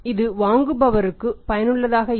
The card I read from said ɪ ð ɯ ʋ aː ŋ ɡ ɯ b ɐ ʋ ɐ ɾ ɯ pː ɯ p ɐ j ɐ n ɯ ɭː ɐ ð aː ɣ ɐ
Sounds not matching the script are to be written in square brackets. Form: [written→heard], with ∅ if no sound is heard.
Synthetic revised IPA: ɪ ð ɯ ʋ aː ŋ ɡ ɯ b ɐ ʋ ɐ ɾ ɯ [pː→kː] ɯ p ɐ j ɐ n ɯ ɭː ɐ ð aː ɣ ɐ